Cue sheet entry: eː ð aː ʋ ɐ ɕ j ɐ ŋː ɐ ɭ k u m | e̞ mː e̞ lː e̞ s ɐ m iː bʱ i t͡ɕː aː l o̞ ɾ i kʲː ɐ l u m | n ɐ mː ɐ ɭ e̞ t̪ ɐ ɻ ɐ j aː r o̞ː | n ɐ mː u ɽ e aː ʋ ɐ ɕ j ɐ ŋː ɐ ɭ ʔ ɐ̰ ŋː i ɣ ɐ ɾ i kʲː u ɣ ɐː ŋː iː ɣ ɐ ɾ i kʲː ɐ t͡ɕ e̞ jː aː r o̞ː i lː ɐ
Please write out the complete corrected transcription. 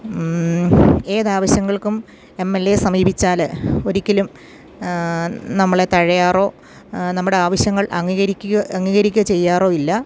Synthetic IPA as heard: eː ð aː ʋ ɐ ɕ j ɐ ŋː ɐ ɭ k u m | e̞ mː e̞ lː e̞ s ɐ m iː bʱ i t͡ɕː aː l o̞ ɾ i kʲː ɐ l u m | n ɐ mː ɐ ɭ e̞ t̪ ɐ ɻ ɐ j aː r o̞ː | n ɐ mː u ɽ e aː ʋ ɐ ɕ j ɐ ŋː ɐ ɭ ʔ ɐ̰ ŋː i ɣ ɐ ɾ i kʲː u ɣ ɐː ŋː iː ɣ ɐ ɾ i kʲː ɐ t͡ɕ e̞ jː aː r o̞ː i lː ɐ

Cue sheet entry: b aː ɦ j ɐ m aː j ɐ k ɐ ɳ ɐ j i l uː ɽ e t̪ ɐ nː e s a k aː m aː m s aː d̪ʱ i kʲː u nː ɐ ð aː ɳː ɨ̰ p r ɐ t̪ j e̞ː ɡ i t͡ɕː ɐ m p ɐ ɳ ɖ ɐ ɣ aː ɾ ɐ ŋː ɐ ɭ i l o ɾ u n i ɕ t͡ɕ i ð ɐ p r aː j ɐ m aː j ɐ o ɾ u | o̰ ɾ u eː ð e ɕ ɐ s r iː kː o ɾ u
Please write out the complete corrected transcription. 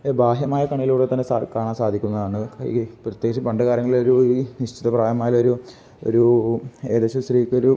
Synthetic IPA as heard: b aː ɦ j ɐ m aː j ɐ k ɐ ɳ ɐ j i l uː ɽ e t̪ ɐ nː e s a k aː ɳ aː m s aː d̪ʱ i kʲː u nː ɐ ð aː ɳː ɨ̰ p r ɐ t̪ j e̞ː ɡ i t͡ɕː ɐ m p ɐ ɳ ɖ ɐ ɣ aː ɾ ɐ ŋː ɐ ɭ i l o ɾ u n i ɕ t͡ɕ i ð ɐ p r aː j ɐ m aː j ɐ o ɾ u | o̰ ɾ u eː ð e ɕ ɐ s r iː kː o ɾ u

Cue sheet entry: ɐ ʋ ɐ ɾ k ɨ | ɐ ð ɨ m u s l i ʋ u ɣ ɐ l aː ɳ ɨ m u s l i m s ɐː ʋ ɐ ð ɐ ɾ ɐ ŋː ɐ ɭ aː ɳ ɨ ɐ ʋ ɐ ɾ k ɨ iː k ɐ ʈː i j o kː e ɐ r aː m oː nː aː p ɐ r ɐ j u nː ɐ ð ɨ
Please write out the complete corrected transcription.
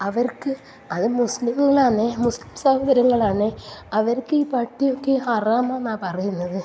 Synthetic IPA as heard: ɐ ʋ ɐ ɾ k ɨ | ɐ ð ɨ m u s l i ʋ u ɣ ɐ ɭ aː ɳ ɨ m u s l i m s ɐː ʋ ɐ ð ɐ ɾ ɐ ŋː ɐ ɭ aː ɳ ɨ ɐ ʋ ɐ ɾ k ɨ iː p ɐ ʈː i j o kː e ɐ r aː m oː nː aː p ɐ r ɐ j u nː ɐ ð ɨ

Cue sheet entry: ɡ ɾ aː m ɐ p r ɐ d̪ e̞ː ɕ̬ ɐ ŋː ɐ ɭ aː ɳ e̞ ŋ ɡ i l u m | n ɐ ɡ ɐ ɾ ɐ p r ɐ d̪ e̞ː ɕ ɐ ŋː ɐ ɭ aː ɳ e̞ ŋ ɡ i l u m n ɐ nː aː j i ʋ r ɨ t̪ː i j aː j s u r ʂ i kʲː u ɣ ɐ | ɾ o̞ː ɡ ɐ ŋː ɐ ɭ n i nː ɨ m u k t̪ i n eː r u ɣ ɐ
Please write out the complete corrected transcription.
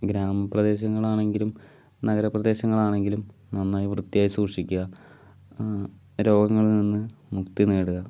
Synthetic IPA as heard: ɡ ɾ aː m ɐ p r ɐ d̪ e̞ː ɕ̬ ɐ ŋː ɐ ɭ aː ɳ e̞ ŋ ɡ i l u m | n ɐ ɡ ɐ ɾ ɐ p r ɐ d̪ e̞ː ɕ ɐ ŋː ɐ ɭ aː ɳ e̞ ŋ ɡ i l u m n ɐ nː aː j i ʋ r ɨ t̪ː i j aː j s uː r ʂ i kʲː u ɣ ɐ | ɾ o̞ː ɡ ɐ ŋː ɐ ɭ n i nː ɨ m u k t̪ i n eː ɽ u ɣ ɐ

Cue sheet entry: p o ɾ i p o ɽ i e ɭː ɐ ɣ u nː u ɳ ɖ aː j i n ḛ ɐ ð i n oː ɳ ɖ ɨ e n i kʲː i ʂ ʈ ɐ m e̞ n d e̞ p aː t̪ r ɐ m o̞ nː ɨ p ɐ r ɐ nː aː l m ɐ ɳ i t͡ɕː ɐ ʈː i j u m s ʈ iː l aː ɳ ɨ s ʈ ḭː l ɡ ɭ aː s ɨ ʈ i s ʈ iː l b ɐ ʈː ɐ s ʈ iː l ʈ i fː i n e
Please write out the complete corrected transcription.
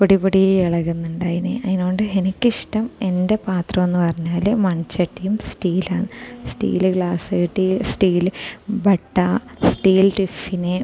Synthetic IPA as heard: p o ɽ i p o ɽ i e ɭ ɐ ɣ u nː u ɳ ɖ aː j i n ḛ ɐ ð i n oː ɳ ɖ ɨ e n i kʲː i ʂ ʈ ɐ m e̞ n d e̞ p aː t̪ r ɐ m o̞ nː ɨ p ɐ r ɐ ɲː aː l m ɐ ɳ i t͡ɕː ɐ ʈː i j u m s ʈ iː l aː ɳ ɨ s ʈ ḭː l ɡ ɭ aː s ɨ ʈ i s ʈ iː l b ɐ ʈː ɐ s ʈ iː l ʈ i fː i n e

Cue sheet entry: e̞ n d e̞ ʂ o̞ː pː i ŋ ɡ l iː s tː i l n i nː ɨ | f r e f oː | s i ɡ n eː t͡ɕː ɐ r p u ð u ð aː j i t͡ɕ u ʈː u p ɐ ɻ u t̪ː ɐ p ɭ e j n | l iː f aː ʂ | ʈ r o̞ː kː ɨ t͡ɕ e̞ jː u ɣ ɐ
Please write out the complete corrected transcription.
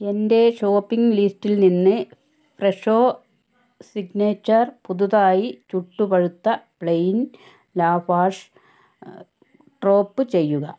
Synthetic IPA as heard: e̞ n d e̞ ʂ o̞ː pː i ŋ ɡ l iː s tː i l n i nː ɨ | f r e ʂ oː | s i ɡ n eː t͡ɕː ɐ r p u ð u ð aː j i t͡ɕ u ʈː u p ɐ ɻ u t̪ː ɐ p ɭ e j n | l aː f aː ʂ | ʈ r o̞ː pː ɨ t͡ɕ e̞ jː u ɣ ɐ

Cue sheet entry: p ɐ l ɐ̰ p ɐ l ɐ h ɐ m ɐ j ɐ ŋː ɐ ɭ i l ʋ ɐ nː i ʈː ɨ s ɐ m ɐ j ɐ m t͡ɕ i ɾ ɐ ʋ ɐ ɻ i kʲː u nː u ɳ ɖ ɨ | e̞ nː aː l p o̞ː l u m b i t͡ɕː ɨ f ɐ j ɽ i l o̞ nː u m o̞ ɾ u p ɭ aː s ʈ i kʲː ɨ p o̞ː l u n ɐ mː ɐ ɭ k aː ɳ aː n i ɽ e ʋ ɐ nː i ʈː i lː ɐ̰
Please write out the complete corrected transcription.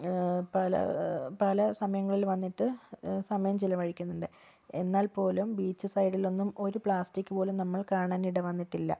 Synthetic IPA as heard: p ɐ l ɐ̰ p ɐ l ɐ s ɐ m ɐ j ɐ ŋː ɐ ɭ i l ʋ ɐ nː i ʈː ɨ s ɐ m ɐ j ɐ m t͡ɕ i l ɐ ʋ ɐ ɻ i kʲː u nː u ɳ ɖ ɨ | e̞ nː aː l p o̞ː l u m b iː t͡ɕː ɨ s ɐ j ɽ i l o̞ nː u m o̞ ɾ u p ɭ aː s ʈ i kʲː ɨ p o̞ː l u n ɐ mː ɐ ɭ k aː ɳ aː n i ɽ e ʋ ɐ nː i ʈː i lː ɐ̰

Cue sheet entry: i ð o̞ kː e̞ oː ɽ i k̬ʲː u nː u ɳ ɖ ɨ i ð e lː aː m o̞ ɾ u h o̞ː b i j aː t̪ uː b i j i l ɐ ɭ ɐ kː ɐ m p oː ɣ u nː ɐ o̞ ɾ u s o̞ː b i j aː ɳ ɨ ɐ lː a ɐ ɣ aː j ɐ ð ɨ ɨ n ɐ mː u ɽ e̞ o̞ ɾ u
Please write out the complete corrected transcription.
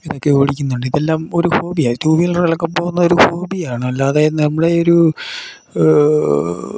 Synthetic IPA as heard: i ð o̞ kː e̞ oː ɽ i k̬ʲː u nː u ɳ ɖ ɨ i ð e lː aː m o̞ ɾ u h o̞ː b i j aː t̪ uː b i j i l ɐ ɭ ɐ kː ɐ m p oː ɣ u nː ɐ o̞ ɾ u h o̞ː b i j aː ɳ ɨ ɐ lː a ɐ ð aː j ɐ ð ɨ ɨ n ɐ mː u ɽ e̞ o̞ ɾ u

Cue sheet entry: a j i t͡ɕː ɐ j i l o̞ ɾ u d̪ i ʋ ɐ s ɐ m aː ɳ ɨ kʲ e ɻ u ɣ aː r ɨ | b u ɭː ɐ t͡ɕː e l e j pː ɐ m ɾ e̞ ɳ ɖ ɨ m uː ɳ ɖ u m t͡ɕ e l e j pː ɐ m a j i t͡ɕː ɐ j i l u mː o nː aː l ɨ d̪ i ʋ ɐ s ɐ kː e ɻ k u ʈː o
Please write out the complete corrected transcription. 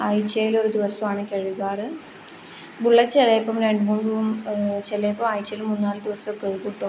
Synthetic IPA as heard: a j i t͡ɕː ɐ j i l o̞ ɾ u d̪ i ʋ ɐ s ɐ m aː ɳ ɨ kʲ e ɻ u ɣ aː r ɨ | b u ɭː ɐ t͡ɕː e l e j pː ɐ m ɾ e̞ ɳ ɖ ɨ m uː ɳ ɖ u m t͡ɕ e l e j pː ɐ m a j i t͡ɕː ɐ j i l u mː u nː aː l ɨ d̪ i ʋ ɐ s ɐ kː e ɻ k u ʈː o

